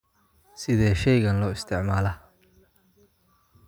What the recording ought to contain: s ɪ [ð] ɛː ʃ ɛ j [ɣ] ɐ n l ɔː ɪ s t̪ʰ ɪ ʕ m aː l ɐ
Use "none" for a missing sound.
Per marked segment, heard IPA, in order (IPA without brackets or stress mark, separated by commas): ð, ɣ